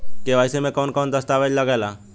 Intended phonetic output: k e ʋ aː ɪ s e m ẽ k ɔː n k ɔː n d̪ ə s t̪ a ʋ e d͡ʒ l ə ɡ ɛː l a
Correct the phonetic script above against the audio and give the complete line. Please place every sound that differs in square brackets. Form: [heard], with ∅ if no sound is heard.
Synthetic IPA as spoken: k e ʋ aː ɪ s e m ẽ k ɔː n k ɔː n d̪ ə s t̪ a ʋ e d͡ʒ l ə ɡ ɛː l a